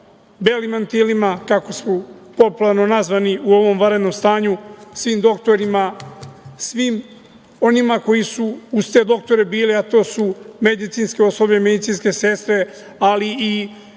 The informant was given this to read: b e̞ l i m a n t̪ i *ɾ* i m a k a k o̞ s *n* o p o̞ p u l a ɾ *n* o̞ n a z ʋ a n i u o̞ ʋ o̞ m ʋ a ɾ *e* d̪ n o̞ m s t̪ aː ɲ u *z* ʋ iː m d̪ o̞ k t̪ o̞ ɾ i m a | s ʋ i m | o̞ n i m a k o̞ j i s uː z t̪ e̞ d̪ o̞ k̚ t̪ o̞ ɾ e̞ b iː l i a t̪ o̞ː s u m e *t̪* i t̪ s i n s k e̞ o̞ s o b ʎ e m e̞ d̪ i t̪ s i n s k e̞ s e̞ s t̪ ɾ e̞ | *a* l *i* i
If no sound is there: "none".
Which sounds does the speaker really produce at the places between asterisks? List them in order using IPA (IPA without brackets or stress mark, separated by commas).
l, m, n, e, s, d̪, a, i